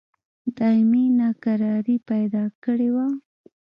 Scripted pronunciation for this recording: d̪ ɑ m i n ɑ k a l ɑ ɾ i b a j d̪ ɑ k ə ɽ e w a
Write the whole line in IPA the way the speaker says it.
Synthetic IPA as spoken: d̪ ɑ m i n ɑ k a ɾ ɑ ɾ i p a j d̪ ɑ k ə ɽ e w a